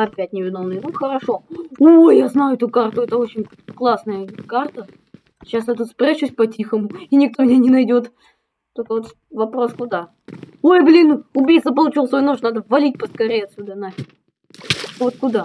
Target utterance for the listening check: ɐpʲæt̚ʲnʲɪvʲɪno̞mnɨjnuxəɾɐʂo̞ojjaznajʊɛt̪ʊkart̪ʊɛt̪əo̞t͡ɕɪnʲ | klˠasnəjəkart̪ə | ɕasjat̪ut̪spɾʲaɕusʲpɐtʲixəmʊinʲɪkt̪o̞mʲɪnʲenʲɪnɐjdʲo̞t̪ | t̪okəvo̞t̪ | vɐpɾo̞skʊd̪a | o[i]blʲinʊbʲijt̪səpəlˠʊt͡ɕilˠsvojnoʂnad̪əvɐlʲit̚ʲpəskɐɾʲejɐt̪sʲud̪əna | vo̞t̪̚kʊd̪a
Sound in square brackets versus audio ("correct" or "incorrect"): incorrect